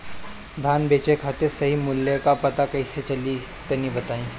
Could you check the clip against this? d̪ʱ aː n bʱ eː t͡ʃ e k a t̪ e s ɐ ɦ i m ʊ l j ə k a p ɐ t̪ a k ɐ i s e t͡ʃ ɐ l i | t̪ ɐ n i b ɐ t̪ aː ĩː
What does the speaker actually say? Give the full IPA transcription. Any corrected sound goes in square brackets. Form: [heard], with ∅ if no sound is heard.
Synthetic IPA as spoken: d̪ʱ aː n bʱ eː t͡ʃ e [kʰ] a t̪ e s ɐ ɦ i m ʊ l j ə k a p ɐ t̪ a k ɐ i s e t͡ʃ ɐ l i | t̪ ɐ n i b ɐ t̪ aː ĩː